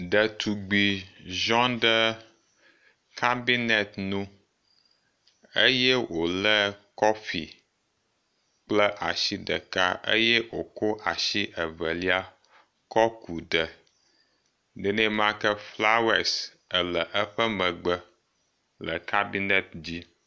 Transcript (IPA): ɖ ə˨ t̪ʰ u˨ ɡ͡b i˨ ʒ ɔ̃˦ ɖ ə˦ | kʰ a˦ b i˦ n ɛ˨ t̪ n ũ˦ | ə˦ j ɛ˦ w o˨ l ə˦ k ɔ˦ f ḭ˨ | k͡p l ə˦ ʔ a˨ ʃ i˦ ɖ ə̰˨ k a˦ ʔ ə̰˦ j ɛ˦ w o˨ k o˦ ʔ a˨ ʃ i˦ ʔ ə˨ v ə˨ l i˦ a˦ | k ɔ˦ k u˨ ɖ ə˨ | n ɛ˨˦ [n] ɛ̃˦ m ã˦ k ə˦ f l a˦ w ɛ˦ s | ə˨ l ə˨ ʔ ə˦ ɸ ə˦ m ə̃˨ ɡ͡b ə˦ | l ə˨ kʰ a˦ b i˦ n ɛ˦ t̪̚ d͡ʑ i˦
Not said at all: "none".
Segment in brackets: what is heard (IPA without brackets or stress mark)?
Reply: n